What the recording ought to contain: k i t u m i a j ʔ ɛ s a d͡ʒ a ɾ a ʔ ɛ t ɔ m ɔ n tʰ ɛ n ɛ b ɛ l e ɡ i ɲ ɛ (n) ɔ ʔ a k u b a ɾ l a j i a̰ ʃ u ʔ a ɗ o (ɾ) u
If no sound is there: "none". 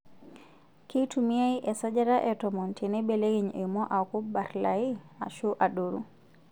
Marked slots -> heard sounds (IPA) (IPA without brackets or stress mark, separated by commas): m, ɾ